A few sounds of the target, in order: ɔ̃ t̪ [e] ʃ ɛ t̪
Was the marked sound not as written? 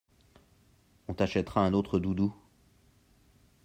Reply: yes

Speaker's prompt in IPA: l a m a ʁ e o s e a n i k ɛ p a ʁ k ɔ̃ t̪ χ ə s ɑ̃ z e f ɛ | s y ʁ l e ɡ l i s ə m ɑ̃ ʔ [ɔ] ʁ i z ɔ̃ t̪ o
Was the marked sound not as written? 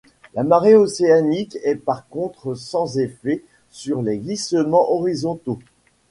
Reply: no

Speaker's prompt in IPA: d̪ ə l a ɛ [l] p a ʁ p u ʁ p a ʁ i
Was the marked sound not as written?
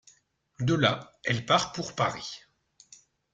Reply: no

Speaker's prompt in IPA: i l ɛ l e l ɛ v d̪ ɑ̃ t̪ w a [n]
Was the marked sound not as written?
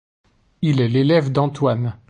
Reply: no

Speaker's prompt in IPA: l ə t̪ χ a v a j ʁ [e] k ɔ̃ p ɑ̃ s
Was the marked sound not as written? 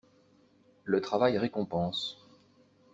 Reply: no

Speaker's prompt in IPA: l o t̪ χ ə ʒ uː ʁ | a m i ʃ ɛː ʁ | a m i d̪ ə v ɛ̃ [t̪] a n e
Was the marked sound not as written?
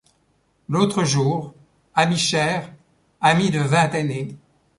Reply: no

